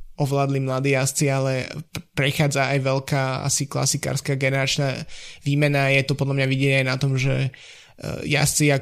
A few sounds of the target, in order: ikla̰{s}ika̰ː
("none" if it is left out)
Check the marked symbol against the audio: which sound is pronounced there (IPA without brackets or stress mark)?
s